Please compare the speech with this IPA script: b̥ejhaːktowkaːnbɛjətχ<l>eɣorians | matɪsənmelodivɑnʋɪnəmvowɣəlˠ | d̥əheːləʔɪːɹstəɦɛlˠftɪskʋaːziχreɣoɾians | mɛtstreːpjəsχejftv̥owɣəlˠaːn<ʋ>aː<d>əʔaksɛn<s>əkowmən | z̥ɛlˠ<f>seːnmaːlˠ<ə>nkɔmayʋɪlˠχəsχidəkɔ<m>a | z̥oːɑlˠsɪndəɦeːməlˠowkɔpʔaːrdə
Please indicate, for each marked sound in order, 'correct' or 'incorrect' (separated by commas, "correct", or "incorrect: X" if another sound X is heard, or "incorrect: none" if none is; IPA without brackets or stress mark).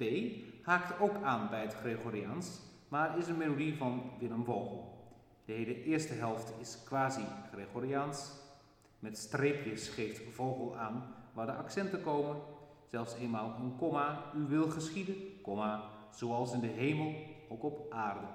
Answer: incorrect: r, correct, correct, incorrect: t, correct, correct, correct